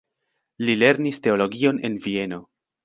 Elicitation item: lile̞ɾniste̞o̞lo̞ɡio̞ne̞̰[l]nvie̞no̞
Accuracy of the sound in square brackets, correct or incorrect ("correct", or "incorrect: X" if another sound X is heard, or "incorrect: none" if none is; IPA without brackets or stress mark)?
incorrect: none